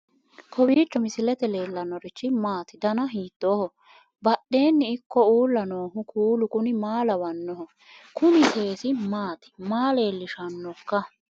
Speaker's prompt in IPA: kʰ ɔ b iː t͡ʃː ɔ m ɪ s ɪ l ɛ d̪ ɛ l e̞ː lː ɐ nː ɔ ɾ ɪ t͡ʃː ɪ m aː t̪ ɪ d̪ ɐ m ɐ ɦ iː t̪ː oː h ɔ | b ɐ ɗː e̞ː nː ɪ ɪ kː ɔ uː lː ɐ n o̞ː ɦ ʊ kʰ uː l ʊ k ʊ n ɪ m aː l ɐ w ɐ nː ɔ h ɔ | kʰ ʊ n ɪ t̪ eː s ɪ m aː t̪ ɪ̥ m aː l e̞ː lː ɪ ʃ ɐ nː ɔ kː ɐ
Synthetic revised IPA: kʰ ɔ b iː t͡ʃː ɔ m ɪ s ɪ l ɛ t̪ ɛ l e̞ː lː ɐ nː ɔ ɾ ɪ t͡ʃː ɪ m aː t̪ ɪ d̪ ɐ n ɐ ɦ iː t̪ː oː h ɔ | b ɐ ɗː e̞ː nː ɪ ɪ kː ɔ uː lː ɐ n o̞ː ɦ ʊ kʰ uː l ʊ k ʊ n ɪ m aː l ɐ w ɐ nː ɔ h ɔ | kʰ ʊ n ɪ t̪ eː s ɪ m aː t̪ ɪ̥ m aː l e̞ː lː ɪ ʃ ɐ nː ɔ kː ɐ